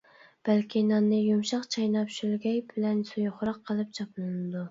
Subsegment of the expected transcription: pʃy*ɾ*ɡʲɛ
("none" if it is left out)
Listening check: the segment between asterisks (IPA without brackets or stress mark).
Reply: l